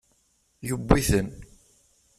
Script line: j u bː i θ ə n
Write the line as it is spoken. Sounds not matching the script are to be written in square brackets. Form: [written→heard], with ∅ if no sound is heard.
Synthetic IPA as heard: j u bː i θ ə n